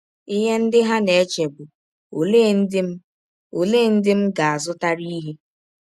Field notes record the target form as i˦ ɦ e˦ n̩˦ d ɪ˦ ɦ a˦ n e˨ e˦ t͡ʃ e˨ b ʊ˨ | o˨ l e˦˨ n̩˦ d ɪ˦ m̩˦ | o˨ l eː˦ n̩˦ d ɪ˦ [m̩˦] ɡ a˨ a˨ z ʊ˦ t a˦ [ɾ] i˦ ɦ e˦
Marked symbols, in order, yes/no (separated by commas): yes, yes